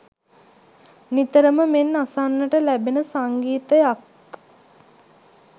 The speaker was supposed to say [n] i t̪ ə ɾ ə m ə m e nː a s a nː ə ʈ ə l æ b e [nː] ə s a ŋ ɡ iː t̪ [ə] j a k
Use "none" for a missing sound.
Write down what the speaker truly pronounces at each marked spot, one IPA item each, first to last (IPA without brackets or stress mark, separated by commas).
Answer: n, n, ə